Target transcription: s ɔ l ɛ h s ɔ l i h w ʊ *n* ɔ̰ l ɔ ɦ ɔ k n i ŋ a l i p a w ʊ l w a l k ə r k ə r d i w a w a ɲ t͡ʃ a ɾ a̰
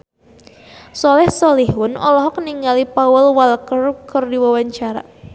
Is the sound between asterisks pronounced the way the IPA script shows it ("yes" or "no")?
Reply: yes